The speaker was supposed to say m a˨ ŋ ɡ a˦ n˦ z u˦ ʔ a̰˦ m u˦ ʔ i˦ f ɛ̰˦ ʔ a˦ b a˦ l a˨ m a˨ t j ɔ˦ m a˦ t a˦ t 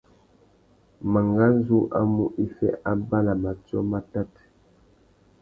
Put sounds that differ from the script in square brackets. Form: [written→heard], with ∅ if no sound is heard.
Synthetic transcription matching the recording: m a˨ ŋ ɡ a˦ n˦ z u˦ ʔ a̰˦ m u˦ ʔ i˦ f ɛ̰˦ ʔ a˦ b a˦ l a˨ m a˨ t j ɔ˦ m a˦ t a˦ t